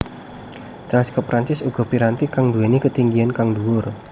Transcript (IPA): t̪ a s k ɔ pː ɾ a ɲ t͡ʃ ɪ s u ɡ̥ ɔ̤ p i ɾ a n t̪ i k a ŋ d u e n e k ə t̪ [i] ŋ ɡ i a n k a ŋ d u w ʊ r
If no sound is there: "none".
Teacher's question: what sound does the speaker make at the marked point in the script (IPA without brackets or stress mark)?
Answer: i